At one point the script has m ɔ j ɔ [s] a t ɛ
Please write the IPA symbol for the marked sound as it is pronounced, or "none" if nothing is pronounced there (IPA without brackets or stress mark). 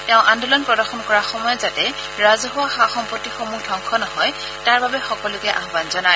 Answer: z